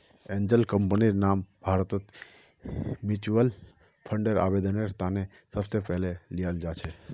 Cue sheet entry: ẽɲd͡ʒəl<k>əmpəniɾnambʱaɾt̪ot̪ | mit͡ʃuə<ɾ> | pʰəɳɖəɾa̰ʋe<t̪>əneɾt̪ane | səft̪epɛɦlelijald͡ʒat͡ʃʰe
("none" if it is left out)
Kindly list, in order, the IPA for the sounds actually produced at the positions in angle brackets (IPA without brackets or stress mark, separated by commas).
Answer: k, l, d̪